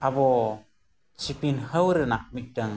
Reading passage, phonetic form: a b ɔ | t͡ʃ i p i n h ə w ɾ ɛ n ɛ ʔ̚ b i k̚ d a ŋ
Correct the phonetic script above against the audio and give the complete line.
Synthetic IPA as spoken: a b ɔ | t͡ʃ i p i n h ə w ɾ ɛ n a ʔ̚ m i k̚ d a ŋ